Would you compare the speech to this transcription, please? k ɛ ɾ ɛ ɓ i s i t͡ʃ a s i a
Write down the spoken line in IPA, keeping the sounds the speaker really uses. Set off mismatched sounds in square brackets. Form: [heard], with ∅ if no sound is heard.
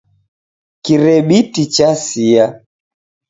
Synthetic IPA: k [i] ɾ ɛ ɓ i [t] i t͡ʃ a s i a